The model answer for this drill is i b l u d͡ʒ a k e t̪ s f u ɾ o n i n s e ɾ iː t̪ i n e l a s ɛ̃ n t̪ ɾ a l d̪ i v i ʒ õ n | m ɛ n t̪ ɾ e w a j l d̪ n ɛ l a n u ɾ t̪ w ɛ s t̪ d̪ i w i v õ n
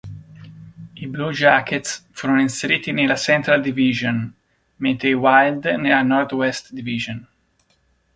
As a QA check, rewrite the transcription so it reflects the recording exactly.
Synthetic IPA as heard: i b l u d͡ʒ a k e t̪ s f u ɾ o n i n s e ɾ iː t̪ i n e l a s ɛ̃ n t̪ ɾ a l d̪ i v i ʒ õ n | m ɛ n t̪ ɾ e w a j l d̪ n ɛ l a n ɔ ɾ t̪ w ɛ s t̪ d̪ i v i ʒ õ n